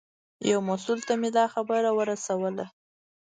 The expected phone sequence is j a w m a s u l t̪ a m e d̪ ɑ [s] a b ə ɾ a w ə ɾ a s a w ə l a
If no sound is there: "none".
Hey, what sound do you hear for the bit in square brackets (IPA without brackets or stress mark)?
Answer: x